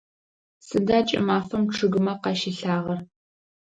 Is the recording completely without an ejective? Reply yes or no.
no